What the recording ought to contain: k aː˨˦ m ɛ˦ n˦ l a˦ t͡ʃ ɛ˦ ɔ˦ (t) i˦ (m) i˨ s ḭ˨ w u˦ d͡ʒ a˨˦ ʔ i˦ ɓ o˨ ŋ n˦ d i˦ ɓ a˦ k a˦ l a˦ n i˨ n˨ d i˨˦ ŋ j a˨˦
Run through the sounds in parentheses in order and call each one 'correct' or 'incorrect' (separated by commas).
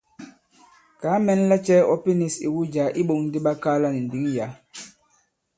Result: incorrect, incorrect